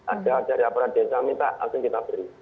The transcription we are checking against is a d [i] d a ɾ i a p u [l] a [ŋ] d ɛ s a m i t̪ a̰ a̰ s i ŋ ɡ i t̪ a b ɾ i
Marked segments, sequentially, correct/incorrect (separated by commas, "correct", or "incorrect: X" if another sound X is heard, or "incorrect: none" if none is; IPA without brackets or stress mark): incorrect: a, incorrect: ɾ, incorrect: none